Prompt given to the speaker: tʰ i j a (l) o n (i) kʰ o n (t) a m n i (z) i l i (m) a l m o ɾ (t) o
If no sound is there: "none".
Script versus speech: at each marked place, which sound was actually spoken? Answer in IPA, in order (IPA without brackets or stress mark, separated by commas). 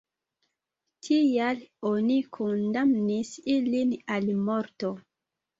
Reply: l, i, d, s, n, t